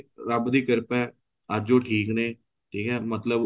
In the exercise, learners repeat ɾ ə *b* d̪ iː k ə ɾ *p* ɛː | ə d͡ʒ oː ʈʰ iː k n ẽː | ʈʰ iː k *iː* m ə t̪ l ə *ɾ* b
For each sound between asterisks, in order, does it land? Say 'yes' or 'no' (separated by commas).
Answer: yes, yes, no, no